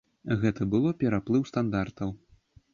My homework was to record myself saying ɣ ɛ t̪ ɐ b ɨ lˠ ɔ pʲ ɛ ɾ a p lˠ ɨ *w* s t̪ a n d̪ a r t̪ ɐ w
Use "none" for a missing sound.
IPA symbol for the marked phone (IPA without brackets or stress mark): w